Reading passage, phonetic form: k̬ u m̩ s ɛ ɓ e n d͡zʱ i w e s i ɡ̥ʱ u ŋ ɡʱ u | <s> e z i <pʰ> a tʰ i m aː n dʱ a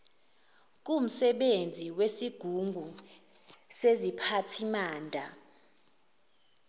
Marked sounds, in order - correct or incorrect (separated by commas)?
correct, correct